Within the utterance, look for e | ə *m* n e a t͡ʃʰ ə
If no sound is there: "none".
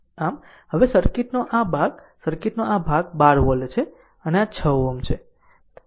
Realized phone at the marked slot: none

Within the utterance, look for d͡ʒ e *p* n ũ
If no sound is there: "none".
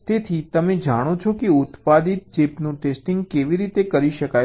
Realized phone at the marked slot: p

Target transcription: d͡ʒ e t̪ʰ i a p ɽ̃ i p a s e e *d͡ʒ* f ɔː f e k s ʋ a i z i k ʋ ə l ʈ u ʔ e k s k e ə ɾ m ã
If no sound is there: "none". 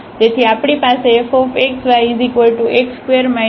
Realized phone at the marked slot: none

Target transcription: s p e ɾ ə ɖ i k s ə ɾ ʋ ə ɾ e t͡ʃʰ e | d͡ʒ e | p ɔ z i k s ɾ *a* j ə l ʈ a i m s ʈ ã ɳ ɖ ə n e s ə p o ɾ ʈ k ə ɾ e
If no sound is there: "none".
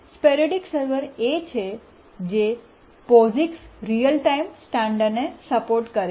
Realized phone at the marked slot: i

